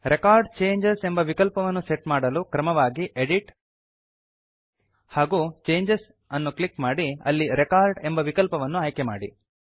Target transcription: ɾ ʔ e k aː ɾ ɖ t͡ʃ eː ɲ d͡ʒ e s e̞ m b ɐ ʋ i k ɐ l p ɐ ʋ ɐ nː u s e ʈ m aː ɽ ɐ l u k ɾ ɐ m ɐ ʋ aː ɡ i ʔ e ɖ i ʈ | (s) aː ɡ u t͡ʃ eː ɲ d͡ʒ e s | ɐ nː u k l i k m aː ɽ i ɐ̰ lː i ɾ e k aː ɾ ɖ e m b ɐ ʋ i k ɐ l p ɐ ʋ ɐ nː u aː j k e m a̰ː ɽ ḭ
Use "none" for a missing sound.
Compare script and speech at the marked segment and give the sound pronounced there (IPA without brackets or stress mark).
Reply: h